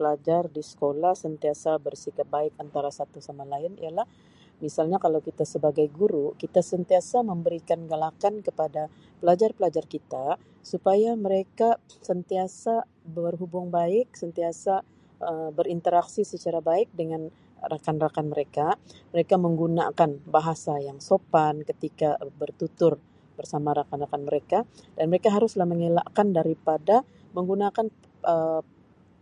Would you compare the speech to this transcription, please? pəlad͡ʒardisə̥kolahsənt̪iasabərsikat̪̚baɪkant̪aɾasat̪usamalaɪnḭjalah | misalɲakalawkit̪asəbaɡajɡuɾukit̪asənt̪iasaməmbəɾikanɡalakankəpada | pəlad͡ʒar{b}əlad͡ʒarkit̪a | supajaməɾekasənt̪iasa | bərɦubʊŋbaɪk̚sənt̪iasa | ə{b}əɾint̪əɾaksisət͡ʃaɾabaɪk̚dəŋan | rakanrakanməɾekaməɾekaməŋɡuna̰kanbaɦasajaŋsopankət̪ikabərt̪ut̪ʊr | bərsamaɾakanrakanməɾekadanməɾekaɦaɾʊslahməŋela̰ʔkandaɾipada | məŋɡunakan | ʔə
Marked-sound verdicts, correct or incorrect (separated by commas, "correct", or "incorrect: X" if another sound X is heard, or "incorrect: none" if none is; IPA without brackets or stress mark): incorrect: p, correct